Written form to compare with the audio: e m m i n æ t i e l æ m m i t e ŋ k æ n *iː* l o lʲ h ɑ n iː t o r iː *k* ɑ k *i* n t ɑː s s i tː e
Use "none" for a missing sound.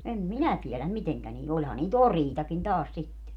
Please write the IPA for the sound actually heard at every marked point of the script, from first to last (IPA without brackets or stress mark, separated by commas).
iː, t, i